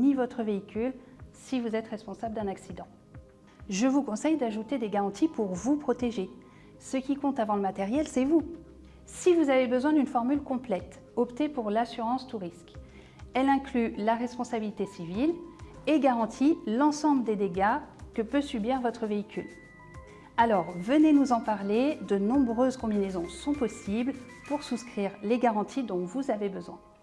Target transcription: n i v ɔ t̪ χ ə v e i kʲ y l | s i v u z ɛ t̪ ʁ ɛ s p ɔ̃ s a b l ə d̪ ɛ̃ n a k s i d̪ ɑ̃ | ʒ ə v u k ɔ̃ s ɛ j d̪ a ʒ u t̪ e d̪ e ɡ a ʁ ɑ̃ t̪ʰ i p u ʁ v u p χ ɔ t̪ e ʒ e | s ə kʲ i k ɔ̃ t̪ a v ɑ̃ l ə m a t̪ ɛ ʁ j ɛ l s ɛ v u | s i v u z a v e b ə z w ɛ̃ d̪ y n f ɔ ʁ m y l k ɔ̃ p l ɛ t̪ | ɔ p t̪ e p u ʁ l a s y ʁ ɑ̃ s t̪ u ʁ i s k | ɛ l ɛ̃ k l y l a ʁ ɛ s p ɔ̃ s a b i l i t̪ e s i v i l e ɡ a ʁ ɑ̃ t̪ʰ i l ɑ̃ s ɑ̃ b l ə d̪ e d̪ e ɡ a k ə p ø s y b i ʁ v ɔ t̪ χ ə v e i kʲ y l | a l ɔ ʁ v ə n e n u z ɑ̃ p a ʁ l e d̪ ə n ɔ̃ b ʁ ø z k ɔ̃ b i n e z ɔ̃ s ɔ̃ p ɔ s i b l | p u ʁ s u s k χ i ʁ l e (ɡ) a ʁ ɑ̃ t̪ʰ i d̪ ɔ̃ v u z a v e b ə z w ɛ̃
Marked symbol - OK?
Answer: yes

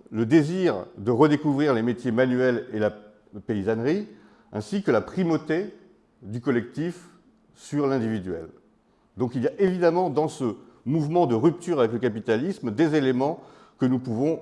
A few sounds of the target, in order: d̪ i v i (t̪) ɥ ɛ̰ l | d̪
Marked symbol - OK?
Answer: no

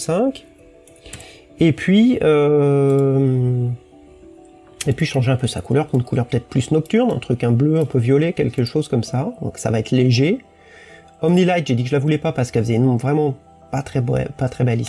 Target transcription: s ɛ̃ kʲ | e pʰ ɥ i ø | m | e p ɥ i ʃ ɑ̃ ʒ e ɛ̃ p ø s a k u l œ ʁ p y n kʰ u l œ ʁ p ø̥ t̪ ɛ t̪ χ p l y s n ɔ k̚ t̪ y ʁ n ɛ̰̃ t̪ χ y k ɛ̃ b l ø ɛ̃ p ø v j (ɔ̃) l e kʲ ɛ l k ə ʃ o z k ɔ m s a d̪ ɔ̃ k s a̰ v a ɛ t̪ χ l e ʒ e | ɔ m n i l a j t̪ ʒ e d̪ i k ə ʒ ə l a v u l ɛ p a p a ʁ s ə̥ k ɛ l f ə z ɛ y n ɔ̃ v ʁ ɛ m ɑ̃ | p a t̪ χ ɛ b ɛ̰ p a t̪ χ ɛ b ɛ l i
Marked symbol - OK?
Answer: no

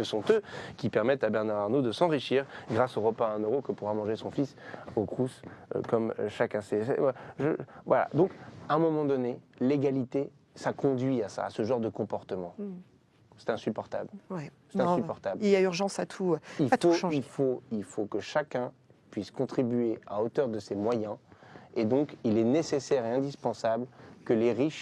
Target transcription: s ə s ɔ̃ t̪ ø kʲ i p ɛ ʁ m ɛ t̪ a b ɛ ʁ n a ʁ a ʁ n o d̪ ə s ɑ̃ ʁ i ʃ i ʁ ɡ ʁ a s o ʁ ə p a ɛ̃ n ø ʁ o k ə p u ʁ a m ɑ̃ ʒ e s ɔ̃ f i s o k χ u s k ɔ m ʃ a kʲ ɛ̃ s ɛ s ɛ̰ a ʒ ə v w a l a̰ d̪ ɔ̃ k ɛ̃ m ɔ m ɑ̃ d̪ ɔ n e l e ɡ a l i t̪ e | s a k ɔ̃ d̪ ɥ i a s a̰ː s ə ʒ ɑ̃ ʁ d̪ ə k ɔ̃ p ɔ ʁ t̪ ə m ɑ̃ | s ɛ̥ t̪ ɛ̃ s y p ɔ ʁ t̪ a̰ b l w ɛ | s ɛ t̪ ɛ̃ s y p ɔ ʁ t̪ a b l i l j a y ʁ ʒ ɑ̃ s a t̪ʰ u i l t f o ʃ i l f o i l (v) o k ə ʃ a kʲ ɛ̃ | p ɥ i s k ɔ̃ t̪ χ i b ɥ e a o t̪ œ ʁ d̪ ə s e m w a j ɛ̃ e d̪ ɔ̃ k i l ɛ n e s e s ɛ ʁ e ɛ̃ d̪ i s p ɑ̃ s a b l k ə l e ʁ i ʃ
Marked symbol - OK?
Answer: no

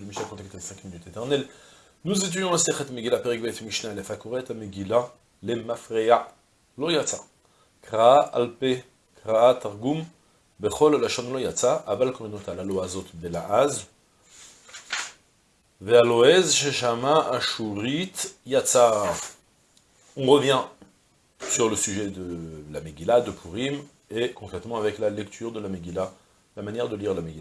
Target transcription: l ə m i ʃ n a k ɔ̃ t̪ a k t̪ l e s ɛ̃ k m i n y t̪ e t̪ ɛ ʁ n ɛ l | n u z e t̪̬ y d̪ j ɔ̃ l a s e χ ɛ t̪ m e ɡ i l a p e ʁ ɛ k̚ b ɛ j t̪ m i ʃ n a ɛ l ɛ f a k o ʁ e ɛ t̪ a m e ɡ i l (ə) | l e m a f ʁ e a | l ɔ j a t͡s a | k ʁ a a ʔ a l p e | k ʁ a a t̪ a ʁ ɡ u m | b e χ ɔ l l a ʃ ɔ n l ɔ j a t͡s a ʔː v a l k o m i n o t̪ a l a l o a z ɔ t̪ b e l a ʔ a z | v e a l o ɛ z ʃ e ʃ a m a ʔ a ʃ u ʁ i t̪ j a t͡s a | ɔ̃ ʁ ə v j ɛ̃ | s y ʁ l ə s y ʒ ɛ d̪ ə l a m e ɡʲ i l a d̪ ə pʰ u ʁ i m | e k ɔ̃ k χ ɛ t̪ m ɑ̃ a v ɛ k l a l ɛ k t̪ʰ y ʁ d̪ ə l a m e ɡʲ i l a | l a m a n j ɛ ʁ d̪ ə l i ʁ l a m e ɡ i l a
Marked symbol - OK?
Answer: no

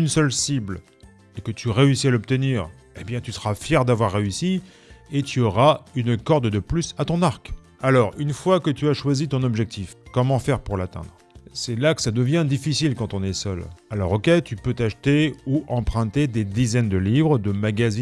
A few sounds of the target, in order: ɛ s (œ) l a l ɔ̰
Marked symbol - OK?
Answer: yes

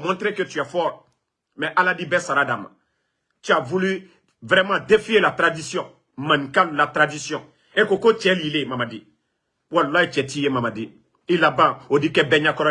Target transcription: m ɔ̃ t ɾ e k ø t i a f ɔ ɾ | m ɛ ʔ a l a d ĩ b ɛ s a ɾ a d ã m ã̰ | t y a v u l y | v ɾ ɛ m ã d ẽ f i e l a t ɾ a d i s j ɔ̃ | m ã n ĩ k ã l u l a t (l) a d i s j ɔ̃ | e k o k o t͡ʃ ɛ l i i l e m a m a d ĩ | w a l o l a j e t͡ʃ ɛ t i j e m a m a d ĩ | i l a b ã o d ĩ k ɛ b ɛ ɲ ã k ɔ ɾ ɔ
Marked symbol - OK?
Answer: no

